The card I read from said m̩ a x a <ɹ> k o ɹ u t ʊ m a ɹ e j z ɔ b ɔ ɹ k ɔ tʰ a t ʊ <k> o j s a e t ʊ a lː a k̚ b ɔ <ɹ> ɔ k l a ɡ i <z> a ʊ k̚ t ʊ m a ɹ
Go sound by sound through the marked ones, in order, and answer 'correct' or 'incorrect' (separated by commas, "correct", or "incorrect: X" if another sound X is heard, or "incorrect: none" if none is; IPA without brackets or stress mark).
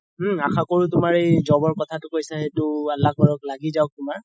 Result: incorrect: none, correct, correct, correct